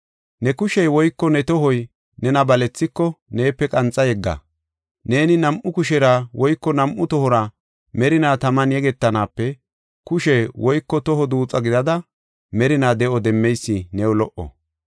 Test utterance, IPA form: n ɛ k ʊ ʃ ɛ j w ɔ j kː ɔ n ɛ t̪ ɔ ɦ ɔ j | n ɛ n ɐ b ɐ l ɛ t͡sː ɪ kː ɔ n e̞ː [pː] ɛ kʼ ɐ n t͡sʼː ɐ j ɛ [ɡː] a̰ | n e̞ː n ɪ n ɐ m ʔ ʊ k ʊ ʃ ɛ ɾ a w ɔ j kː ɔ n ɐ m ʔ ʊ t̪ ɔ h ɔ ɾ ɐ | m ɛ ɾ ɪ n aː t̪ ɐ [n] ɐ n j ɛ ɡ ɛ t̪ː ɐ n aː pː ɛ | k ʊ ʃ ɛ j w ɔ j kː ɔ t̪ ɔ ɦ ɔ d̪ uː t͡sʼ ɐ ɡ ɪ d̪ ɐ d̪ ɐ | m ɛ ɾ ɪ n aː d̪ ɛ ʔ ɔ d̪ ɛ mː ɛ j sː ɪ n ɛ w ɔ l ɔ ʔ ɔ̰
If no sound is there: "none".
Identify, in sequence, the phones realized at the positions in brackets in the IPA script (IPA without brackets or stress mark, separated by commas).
pː, ɡː, m